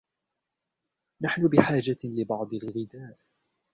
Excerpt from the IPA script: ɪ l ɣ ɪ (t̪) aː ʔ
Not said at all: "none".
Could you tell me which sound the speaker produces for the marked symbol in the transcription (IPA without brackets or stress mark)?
d̪